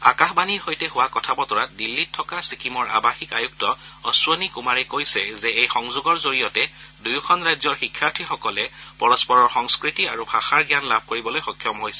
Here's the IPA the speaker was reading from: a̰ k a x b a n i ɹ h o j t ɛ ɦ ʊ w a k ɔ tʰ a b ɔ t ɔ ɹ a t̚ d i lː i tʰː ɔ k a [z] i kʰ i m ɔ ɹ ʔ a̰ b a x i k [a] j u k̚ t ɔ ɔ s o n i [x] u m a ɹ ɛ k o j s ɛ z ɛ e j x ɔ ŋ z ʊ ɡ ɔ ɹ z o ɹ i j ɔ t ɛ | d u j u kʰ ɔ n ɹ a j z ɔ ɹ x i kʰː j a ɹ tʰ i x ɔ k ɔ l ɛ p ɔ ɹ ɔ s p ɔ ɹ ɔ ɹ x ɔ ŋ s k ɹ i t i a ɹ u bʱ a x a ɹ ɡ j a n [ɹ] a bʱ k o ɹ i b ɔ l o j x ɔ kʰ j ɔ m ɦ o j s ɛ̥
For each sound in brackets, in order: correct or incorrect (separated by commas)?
incorrect, correct, incorrect, incorrect